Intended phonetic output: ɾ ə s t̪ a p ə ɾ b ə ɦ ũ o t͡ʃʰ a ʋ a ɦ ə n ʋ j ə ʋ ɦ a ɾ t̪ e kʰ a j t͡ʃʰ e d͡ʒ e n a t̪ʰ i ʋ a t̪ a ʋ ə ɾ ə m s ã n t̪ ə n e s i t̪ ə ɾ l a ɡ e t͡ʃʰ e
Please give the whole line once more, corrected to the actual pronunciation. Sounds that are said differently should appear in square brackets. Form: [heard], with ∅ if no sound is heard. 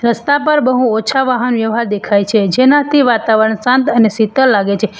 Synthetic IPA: ɾ ə s t̪ a p ə ɾ b ə ɦ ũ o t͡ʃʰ a ʋ a ɦ ə n ʋ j ə ʋ ɦ a ɾ [d̪] e kʰ a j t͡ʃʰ e d͡ʒ e n a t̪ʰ i ʋ a t̪ a ʋ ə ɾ ə [ɳ] s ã n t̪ ə n e s i t̪ ə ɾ l a ɡ e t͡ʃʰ e